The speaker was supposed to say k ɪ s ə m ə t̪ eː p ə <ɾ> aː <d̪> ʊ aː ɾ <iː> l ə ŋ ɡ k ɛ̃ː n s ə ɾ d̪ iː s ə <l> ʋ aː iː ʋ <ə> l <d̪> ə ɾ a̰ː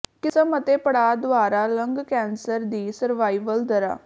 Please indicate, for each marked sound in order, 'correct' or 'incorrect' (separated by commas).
incorrect, correct, incorrect, incorrect, correct, correct